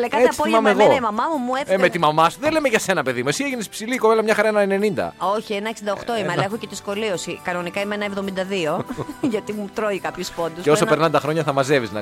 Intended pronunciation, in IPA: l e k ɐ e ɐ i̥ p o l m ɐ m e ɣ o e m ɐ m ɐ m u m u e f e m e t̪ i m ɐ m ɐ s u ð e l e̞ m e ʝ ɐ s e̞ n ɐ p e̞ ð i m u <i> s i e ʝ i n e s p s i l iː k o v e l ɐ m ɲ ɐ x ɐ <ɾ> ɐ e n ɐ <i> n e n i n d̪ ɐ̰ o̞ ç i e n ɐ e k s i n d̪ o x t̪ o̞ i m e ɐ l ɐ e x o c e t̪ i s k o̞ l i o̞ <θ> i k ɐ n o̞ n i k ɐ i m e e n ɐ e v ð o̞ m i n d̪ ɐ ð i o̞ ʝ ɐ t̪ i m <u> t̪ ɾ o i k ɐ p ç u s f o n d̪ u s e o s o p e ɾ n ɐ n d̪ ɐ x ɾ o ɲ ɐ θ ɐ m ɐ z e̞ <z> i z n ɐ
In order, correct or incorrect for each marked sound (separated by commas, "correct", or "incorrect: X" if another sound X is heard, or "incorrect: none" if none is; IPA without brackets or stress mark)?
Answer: incorrect: e, correct, incorrect: e, incorrect: s, correct, incorrect: v